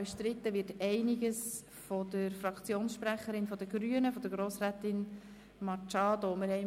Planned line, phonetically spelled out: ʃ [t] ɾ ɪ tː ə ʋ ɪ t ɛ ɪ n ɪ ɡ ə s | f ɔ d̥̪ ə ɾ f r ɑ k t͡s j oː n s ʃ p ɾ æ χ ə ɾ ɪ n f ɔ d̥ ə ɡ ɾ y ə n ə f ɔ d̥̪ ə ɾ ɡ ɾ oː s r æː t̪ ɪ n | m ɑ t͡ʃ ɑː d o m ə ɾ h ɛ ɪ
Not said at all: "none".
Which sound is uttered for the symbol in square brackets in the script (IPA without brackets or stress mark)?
t